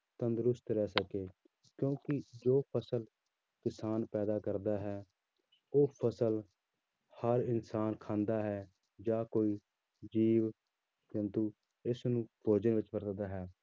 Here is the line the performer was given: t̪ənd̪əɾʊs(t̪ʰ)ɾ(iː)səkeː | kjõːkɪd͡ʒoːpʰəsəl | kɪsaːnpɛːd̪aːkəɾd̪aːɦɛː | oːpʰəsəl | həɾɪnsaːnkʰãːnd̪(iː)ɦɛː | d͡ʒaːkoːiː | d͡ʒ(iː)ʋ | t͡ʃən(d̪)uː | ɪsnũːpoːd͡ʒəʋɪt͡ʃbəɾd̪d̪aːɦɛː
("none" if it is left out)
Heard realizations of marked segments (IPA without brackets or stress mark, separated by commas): t̪, ɛː, aː, iː, t̪